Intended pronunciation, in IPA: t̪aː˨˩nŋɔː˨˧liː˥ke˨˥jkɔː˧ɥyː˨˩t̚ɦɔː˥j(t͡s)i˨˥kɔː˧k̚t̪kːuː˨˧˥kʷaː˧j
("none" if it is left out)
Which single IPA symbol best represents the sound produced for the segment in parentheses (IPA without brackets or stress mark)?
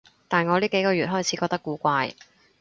t͡sʰ